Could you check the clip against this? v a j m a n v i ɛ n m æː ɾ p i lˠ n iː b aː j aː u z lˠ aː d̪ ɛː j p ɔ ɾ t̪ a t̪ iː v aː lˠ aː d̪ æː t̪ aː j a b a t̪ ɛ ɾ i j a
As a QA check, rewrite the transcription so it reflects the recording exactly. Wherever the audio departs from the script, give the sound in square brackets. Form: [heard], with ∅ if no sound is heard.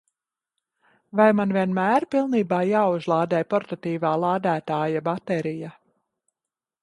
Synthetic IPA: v a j m a n v i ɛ n m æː ɾ p i lˠ n iː b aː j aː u z lˠ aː d̪ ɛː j p ɔ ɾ t̪ a t̪ iː v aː lˠ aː d̪ æː t̪ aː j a b a t̪ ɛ ɾ i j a